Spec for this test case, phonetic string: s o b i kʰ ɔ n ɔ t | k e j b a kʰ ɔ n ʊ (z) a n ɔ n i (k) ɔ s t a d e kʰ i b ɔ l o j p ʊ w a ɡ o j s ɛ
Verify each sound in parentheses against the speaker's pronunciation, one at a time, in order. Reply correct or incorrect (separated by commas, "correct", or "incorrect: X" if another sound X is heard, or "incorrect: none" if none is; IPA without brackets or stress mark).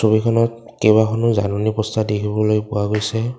correct, incorrect: p